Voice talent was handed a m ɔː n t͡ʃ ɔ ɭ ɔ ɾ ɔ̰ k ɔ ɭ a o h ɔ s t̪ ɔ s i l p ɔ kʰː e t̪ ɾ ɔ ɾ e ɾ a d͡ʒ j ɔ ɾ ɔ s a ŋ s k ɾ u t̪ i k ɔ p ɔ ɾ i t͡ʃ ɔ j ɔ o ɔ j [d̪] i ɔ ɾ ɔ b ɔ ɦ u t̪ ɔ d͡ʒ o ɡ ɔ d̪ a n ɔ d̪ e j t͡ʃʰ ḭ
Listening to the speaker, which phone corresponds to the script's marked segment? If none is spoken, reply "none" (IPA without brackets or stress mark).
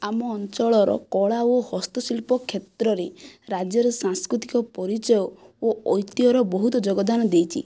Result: t̪